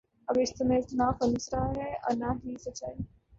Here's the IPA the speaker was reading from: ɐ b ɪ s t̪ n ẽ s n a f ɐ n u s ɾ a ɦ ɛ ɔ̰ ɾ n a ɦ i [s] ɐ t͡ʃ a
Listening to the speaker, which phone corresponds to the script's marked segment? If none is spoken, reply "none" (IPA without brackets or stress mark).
s